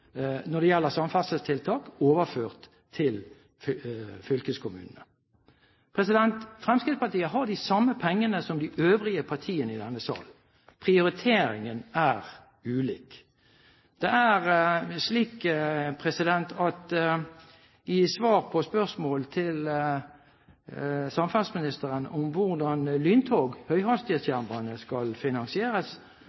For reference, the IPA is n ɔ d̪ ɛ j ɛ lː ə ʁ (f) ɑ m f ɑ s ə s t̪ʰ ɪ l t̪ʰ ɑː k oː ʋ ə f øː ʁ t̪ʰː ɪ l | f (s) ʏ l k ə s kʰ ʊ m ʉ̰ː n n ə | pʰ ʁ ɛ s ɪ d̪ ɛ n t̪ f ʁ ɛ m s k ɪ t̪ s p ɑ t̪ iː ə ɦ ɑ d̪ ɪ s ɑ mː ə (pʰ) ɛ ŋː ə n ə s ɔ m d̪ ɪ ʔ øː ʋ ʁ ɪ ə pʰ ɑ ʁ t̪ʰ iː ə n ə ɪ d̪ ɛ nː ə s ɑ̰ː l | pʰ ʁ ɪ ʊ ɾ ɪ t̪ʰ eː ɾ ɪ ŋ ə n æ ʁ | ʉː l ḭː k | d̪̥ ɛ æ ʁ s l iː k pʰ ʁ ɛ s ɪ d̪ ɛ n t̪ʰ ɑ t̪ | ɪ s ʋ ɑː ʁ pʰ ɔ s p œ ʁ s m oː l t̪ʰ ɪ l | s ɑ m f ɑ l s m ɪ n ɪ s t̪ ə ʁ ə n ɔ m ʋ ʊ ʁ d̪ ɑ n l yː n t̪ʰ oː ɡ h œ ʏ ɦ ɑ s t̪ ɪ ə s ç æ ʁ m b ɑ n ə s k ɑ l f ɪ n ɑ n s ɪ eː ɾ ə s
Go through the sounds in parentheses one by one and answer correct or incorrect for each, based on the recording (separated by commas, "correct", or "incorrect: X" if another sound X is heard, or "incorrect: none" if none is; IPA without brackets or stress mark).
incorrect: s, incorrect: f, correct